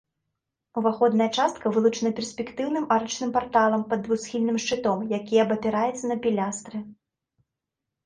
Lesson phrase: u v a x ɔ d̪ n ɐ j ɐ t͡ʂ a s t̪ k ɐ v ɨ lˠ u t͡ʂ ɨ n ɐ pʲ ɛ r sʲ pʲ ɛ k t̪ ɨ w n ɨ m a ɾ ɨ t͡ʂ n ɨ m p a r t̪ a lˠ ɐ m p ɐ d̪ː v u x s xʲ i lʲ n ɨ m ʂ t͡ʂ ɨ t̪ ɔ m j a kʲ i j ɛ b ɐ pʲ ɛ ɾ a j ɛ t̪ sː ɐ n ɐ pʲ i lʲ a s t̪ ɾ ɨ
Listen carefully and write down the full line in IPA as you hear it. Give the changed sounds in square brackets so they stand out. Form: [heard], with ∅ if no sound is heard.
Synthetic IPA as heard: u v a x ɔ d̪ n ɐ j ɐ t͡ʂ a s t̪ k ɐ v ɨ lˠ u t͡ʂ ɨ n ɐ pʲ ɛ r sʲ pʲ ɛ k t̪ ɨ w n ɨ m a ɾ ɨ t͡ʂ n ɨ m p a r t̪ a lˠ ɐ m p ɐ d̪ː v u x s xʲ i lʲ n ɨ m ʂ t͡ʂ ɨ t̪ ɔ m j a kʲ i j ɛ b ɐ pʲ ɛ ɾ a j ɛ t̪ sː ɐ n ɐ pʲ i lʲ a s t̪ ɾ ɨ